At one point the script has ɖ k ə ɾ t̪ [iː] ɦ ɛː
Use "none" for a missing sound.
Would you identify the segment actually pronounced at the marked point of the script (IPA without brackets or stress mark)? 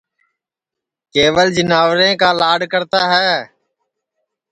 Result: aː